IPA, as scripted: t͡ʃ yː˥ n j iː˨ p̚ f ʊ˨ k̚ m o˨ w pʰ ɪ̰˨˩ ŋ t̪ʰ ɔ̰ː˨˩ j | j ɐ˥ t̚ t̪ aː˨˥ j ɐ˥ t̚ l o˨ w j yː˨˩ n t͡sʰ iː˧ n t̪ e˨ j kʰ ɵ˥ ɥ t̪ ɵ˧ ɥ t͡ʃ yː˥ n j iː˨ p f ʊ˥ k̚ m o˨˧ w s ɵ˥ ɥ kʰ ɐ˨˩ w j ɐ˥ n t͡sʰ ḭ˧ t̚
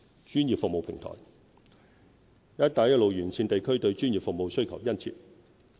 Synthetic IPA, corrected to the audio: t͡ʃ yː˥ n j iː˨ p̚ f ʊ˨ k̚ m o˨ w pʰ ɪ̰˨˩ ŋ t̪ʰ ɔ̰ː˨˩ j | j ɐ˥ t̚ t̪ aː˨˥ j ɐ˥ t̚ l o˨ w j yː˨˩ n t͡sʰ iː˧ n t̪ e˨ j kʰ ɵ˥ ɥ t̪ ɵ˧ ɥ t͡ʃ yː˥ n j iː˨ p f ʊ˨ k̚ m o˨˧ w s ɵ˥ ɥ kʰ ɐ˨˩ w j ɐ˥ n t͡sʰ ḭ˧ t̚